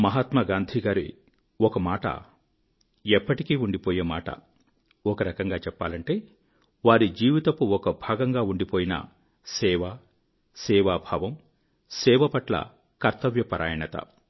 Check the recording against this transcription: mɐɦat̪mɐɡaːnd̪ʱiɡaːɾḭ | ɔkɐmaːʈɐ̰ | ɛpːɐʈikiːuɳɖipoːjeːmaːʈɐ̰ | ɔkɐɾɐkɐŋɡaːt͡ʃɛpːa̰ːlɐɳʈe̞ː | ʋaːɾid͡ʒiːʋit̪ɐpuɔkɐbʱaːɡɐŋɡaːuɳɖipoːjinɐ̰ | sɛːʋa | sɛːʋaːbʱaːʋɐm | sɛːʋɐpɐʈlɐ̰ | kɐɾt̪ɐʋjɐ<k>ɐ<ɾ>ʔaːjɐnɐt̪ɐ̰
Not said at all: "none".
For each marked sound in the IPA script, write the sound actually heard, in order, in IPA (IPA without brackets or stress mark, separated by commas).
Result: p, ɾ